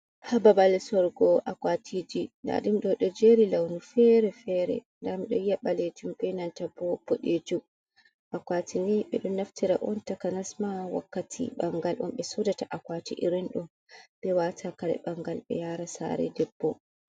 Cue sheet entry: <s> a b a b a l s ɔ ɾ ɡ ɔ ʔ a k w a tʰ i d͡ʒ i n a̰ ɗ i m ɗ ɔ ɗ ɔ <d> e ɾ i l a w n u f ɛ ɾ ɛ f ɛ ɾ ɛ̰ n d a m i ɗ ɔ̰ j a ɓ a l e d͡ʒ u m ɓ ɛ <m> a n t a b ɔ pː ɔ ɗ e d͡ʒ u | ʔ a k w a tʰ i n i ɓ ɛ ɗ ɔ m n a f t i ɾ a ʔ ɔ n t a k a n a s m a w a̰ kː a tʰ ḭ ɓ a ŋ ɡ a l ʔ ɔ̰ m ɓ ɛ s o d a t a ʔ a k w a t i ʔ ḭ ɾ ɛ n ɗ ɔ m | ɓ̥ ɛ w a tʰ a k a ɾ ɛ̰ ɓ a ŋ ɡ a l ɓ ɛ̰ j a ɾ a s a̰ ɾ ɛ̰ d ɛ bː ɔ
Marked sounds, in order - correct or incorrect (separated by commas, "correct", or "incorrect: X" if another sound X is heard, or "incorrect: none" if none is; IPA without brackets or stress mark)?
incorrect: h, incorrect: d͡ʒ, incorrect: n